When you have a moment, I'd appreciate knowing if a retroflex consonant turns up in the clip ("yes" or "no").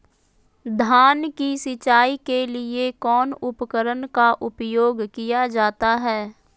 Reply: no